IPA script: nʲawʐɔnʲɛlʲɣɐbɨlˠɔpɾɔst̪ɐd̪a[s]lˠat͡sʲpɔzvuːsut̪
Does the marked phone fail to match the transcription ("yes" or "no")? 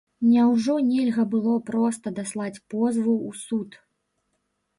no